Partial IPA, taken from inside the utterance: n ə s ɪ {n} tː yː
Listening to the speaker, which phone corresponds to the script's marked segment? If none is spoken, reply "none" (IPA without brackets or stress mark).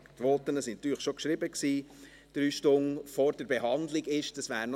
n